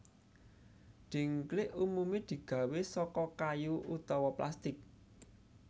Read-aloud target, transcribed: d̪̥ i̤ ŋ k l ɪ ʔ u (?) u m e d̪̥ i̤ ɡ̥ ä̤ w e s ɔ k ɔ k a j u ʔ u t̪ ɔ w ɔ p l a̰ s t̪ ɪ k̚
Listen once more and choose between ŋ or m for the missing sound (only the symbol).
m